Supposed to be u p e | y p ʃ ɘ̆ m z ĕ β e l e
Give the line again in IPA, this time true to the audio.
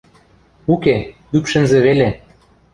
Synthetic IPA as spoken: u k e | y p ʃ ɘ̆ n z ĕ β e l e

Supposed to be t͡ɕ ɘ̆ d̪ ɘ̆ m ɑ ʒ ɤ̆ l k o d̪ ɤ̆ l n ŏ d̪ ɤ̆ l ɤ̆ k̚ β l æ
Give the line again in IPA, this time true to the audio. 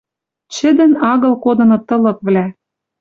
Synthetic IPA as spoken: t͡ɕ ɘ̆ d̪ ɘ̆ n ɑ ɣ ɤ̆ l k o d̪ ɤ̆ n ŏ t̪ ɤ̆ l ɤ̆ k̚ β l æ

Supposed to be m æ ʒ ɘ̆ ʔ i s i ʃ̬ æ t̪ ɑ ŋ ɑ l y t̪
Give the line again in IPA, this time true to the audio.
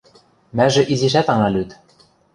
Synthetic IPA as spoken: m æ ʒ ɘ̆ ʔ i z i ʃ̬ æ t̪ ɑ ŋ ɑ l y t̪

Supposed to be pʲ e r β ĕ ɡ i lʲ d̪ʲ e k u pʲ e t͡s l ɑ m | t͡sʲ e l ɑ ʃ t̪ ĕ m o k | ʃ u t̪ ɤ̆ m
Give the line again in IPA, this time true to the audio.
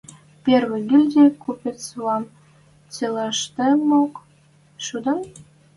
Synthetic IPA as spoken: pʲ e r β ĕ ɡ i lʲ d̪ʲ e k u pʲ e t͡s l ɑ m | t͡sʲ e l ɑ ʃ t̪ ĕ m o k | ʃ u d̪ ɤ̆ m

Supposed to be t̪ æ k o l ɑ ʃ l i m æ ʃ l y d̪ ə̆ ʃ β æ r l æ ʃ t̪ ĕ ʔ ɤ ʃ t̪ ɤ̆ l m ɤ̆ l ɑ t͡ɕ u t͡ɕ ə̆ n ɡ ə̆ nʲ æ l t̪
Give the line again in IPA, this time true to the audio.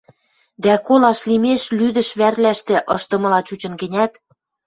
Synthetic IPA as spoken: d̪ æ k o l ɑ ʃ l i m e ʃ l y d̪ ə̆ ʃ β æ r l æ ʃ t̪ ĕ ʔ ɤ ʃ t̪ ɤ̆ m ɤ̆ l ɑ t͡ɕ u t͡ɕ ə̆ n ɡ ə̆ nʲ æ t̪

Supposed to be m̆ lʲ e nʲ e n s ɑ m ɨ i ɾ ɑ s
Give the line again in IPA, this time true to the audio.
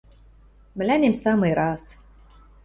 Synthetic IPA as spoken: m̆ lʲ æ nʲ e m s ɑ m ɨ j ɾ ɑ s

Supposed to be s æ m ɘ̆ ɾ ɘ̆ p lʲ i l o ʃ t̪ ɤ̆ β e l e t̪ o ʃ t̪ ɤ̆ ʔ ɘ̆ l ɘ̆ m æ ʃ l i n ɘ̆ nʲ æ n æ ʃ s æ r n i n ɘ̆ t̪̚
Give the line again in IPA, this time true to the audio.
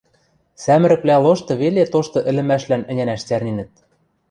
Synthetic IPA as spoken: s æ m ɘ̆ ɾ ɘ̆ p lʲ æ l o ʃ t̪ ɤ̆ β e l e t̪ o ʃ t̪ ɤ̆ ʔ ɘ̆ l ɘ̆ m æ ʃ l æ n ɘ̆ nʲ æ n æ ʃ t͡s æ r n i n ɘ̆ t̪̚

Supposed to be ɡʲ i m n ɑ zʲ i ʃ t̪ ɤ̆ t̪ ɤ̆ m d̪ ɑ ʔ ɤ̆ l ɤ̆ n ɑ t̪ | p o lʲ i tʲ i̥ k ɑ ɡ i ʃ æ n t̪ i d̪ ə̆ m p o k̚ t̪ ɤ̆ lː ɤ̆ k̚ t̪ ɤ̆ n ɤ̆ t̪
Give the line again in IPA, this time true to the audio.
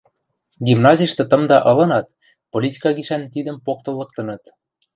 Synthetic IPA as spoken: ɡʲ i m n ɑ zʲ i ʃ t̪ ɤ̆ t̪ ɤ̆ m d̪ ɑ ʔ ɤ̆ l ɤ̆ n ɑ t̪ | p o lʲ i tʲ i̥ k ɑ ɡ i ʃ æ n t̪ i d̪ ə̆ m p o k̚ t̪ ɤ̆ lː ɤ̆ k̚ t̪ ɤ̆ n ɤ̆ t̪

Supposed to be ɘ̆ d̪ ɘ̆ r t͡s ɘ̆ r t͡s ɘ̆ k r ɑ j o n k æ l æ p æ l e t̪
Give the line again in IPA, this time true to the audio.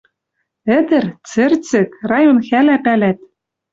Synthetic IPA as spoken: ɘ̆ d̪ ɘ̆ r t͡s ɘ̆ r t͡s ɘ̆ k r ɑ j o n x æ l æ p æ l æ t̪

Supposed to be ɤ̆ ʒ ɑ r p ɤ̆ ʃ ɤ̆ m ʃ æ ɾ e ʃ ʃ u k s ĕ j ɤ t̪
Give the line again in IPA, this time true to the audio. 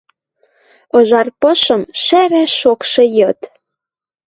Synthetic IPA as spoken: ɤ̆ ʒ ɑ r p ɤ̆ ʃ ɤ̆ m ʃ æ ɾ æ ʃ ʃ o k ʃ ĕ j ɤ t̪

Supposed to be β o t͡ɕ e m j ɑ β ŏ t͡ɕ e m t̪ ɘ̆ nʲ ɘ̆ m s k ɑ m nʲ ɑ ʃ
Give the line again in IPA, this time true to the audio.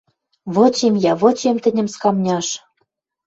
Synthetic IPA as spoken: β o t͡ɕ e m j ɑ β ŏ t͡ɕ e m t̪ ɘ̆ nʲ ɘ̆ m s k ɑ m nʲ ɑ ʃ

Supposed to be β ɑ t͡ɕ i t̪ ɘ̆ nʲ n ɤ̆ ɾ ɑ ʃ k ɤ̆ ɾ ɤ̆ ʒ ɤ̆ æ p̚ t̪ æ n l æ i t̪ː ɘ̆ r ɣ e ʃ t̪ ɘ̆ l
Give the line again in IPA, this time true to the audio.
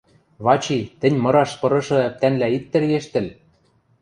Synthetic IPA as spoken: β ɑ t͡ɕ i t̪ ɘ̆ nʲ m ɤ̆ ɾ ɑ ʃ p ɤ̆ ɾ ɤ̆ ʃ ɤ̆ æ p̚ t̪ æ n l æ i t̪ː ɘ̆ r ɣ e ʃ t̪ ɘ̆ l

